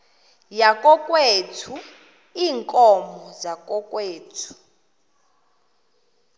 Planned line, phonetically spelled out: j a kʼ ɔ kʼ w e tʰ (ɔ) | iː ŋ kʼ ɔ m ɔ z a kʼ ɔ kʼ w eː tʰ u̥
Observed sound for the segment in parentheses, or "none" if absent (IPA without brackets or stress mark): u